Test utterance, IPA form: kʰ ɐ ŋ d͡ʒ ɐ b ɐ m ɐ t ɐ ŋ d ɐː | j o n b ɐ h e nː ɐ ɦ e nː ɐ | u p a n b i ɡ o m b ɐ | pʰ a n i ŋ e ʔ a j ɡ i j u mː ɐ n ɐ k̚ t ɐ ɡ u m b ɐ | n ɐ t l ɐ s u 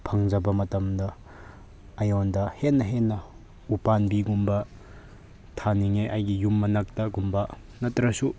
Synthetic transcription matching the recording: pʰ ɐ ŋ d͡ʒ ɐ b ɐ m ɐ t ɐ m d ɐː | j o n d ɐ h e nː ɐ ɦ e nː ɐ | u p a n b i ɡ u m b ɐ | tʰ a n i ŋ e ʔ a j ɡ i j u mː ɐ n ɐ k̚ t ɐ ɡ u m b ɐ | n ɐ t ɾ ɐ s u